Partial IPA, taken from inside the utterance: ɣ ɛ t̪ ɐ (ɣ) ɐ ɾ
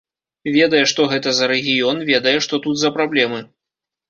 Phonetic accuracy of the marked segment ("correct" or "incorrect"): incorrect